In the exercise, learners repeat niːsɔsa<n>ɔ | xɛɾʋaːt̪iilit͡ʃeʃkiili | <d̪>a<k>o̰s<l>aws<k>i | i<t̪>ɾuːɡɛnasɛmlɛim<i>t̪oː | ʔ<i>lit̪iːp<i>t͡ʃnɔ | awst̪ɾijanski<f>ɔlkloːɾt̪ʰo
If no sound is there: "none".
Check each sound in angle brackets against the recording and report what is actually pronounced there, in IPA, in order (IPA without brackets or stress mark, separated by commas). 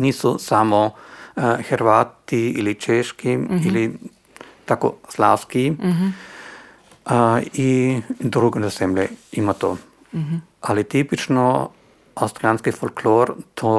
m, t̪, k, l, k, d̪, a, a, i, f